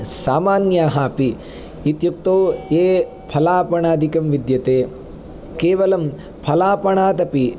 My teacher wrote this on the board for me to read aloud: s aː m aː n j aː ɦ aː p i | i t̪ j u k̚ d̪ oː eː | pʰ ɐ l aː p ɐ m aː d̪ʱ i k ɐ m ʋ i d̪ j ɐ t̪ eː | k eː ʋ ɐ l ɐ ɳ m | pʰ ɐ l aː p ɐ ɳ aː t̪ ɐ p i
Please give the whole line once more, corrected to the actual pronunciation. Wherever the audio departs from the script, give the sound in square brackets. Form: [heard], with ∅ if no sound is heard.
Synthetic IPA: s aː m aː n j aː ɦ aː p i | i t̪ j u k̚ [t̪] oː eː | pʰ ɐ l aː p ɐ [ɳ] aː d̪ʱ i k ɐ m ʋ i d̪ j ɐ t̪ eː | k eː ʋ ɐ l ɐ [∅] m | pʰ ɐ l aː p ɐ ɳ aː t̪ ɐ p i